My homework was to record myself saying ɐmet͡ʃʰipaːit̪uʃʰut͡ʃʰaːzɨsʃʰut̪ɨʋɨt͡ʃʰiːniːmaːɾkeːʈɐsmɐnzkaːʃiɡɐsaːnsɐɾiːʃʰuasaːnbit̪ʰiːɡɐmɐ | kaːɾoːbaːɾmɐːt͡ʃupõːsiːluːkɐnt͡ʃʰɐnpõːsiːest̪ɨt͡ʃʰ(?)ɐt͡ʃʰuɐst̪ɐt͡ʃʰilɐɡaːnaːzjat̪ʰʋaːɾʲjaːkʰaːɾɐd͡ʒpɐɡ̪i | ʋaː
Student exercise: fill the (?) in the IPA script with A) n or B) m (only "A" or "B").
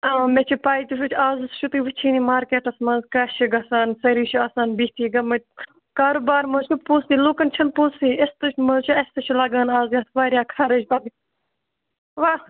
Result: B